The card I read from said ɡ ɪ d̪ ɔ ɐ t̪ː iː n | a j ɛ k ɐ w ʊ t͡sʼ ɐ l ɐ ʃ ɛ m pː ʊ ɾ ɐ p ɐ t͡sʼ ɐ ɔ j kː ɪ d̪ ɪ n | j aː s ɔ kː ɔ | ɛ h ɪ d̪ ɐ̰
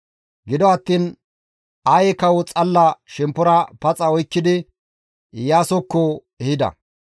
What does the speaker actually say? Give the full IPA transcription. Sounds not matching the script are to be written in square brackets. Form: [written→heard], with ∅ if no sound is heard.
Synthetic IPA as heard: ɡ ɪ d̪ ɔ ɐ t̪ː iː n | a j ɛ k ɐ w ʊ t͡sʼ ɐ [l→lː] ɐ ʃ ɛ m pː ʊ ɾ ɐ p ɐ t͡sʼ ɐ ɔ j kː ɪ d̪ ɪ [n→∅] | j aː s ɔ kː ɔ | ɛ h ɪ d̪ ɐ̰